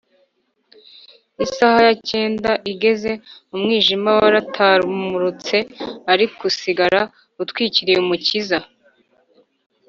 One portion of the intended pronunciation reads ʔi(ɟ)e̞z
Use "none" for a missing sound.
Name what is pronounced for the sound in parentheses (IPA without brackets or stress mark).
ɡ